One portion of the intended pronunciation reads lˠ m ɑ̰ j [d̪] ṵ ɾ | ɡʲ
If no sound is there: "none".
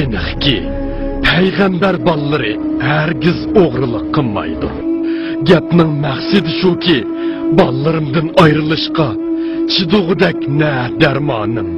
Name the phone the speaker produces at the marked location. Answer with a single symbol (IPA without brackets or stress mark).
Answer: d̪